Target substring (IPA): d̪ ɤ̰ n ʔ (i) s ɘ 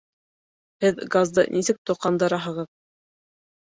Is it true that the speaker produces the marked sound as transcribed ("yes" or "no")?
yes